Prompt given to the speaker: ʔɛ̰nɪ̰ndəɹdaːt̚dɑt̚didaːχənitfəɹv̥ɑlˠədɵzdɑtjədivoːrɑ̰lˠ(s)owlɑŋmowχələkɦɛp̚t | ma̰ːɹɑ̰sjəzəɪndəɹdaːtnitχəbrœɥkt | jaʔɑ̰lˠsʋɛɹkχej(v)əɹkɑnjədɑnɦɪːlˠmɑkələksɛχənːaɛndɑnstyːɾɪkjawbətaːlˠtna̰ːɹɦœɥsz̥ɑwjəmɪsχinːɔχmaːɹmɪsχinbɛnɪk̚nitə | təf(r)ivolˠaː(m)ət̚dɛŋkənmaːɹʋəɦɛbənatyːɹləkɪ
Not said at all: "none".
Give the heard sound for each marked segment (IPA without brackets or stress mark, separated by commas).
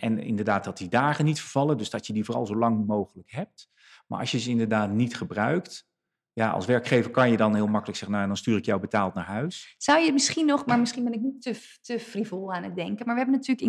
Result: z, v, r, n